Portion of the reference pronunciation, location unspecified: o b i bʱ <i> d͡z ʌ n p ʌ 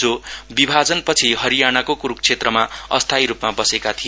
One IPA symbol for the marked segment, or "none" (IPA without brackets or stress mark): a